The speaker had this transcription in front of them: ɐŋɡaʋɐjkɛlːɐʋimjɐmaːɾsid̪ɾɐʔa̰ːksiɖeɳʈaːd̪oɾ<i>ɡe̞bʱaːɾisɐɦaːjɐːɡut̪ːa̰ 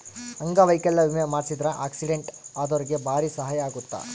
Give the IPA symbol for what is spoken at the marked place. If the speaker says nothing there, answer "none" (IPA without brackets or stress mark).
i